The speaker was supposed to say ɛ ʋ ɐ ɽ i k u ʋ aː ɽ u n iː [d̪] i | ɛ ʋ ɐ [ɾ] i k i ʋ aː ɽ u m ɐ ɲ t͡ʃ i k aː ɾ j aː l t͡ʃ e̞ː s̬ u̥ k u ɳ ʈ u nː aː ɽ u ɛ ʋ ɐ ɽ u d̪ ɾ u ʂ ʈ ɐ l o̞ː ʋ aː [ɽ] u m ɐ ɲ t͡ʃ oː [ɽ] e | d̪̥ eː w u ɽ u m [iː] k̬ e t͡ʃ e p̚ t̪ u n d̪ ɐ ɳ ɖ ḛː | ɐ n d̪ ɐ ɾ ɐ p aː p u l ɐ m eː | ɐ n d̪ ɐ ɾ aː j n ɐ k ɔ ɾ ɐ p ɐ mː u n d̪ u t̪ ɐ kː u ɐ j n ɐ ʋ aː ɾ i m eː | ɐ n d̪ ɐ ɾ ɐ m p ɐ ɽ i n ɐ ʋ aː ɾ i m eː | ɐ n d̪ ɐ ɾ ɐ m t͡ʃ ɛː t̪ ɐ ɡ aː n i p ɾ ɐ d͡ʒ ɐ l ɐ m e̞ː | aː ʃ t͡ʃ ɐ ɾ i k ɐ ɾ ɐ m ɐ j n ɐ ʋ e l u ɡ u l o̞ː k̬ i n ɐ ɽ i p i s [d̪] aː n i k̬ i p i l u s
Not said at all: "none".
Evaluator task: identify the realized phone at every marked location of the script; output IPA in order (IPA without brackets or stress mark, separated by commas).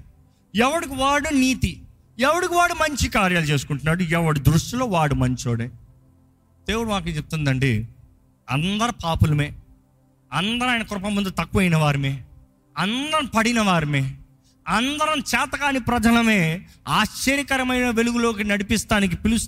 t̪, ɽ, ɽ, ɽ, aː, t̪